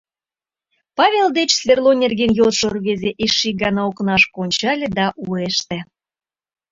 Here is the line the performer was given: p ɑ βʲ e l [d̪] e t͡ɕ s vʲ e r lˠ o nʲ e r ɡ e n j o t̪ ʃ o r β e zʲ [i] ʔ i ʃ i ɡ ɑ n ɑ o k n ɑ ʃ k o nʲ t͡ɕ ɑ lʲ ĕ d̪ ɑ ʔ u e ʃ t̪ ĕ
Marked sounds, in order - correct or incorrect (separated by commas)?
correct, incorrect